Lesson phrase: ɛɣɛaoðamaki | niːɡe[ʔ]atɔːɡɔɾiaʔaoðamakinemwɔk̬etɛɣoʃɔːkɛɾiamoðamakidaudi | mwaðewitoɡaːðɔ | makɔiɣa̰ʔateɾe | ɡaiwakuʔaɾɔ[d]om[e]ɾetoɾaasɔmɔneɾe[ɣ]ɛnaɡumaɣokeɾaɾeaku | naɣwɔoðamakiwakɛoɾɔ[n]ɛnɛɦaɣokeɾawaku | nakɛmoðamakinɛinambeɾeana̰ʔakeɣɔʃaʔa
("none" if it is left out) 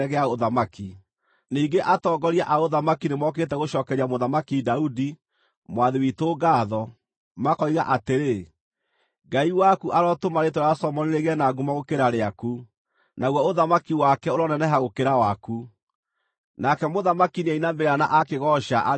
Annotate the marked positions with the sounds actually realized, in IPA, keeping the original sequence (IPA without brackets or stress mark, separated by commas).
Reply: ʔ, t, a, ɣ, n